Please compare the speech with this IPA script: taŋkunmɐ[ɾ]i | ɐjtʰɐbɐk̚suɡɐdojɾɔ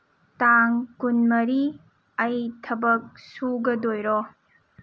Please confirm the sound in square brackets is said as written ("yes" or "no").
yes